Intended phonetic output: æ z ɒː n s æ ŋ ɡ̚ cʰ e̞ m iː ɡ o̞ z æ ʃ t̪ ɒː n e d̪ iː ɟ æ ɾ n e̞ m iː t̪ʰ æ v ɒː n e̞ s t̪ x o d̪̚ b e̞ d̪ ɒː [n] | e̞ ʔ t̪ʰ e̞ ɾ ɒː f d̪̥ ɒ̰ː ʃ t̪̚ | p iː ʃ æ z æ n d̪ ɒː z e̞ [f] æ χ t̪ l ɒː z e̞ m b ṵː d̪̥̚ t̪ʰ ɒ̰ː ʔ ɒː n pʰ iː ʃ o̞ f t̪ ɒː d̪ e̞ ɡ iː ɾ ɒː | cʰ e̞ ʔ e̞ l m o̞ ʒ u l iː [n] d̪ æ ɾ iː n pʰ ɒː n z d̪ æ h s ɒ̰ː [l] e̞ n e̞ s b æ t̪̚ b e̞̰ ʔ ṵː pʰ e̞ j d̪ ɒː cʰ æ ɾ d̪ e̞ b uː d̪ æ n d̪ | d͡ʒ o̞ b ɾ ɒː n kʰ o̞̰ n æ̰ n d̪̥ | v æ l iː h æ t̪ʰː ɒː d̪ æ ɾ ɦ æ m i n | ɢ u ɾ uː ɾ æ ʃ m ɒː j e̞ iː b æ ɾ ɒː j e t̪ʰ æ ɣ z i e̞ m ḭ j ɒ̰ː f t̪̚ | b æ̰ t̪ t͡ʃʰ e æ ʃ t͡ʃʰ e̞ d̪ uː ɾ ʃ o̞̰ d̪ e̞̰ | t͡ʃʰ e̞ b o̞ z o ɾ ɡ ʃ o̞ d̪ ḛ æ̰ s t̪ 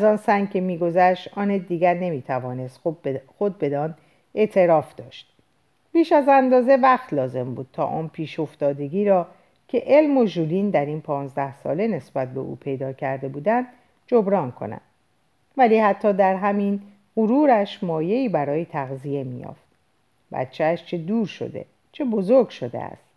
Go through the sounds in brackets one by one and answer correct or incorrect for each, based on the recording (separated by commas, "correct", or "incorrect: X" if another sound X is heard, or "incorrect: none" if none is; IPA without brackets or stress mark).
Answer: correct, incorrect: v, correct, correct